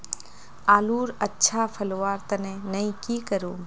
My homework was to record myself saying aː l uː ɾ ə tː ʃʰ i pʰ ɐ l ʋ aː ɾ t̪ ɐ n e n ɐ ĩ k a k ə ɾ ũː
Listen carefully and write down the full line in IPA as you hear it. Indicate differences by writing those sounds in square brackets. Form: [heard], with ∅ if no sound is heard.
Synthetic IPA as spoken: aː l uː ɾ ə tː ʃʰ [a] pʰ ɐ l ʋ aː ɾ t̪ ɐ n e n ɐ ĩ k [i] k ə ɾ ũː